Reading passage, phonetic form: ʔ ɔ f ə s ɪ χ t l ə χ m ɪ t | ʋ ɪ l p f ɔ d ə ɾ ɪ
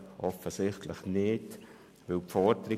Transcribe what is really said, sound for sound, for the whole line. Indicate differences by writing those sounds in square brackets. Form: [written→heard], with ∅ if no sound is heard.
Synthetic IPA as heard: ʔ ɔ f ə s ɪ χ t l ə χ [m→n] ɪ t | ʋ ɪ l p f ɔ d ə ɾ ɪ

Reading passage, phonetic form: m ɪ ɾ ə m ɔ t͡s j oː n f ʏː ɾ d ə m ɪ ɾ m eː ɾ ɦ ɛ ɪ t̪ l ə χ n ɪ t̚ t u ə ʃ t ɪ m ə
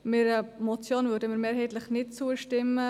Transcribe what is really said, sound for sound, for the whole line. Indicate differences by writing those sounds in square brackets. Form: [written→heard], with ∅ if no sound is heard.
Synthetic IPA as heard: m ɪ ɾ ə m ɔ t͡s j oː n [f→v] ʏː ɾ d ə m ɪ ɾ m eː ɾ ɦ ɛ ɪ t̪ l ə χ n ɪ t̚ [t→t͡s] u ə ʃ t ɪ m ə

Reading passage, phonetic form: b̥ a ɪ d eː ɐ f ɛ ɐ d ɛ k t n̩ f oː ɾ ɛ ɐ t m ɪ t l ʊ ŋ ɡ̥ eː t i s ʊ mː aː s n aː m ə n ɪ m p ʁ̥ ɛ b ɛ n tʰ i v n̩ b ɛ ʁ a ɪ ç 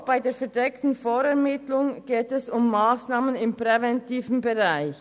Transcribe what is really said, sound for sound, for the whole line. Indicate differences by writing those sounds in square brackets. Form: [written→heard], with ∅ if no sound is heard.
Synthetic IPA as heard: b̥ a ɪ d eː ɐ f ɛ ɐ d ɛ k t n̩ f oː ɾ ɛ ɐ [t→∅] m ɪ t l ʊ ŋ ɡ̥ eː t [i→ɛ] s ʊ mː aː s n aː m ə n ɪ m p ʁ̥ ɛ [b→v] ɛ n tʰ [i→iː] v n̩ b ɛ ʁ a ɪ ç

